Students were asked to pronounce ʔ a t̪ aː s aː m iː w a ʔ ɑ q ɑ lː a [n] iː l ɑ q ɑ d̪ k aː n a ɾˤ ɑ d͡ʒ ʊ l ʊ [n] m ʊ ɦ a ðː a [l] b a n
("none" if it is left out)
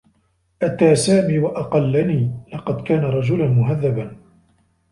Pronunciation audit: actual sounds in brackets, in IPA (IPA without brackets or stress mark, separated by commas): n, n, none